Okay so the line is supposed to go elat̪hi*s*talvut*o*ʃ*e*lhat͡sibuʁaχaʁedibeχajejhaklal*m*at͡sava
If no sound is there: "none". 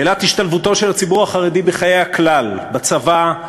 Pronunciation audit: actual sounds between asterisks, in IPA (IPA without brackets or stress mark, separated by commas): ʃ, o, e, b